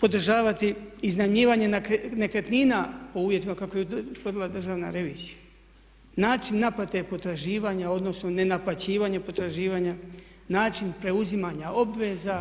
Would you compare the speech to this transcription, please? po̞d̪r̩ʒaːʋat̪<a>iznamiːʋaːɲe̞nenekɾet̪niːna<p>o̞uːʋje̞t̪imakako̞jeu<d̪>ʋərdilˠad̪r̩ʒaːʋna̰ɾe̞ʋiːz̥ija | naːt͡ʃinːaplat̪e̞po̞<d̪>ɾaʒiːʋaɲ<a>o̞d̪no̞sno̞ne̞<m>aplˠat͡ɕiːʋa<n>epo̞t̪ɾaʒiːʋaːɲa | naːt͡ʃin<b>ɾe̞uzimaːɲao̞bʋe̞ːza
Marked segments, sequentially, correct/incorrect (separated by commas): incorrect, correct, incorrect, incorrect, correct, incorrect, incorrect, incorrect